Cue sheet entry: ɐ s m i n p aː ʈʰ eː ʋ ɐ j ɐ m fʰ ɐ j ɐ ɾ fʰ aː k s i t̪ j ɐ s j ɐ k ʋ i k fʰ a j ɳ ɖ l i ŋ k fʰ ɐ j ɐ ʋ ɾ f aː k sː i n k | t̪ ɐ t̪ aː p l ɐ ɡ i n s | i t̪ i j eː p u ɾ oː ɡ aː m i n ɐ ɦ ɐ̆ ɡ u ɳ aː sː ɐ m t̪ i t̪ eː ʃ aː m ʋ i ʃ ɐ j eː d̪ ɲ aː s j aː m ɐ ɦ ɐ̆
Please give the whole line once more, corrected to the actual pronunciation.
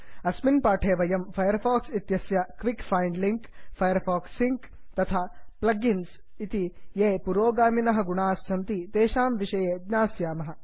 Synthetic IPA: ɐ s m i n p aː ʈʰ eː ʋ ɐ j ɐ m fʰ ɐ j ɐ ɾ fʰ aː k s i t̪ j ɐ s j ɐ k ʋ i k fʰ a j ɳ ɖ l i ŋ k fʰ ɐ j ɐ ɾ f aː k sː i ŋ k | t̪ ɐ t̪ʰ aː p l ɐ ɡ i n s | i t̪ i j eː p u ɾ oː ɡ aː m i n ɐ ɦ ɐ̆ ɡ u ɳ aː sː ɐ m t̪ i t̪ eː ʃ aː m ʋ i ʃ ɐ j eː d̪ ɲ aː s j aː m ɐ ɦ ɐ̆